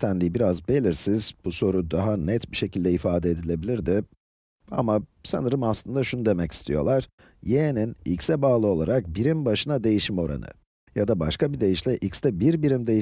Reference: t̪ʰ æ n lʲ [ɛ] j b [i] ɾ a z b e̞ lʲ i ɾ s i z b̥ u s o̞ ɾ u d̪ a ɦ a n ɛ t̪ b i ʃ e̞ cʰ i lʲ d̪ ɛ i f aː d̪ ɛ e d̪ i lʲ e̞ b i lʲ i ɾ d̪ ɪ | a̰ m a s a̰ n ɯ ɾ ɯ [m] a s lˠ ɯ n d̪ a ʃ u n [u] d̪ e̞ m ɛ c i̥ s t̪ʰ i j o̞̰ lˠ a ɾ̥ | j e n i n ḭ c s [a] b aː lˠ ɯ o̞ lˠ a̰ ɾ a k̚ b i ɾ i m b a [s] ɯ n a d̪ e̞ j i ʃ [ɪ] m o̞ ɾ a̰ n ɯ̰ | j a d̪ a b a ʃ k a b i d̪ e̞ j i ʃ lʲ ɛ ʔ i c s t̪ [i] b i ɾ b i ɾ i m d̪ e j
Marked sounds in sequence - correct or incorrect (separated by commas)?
incorrect, correct, correct, correct, incorrect, incorrect, incorrect, incorrect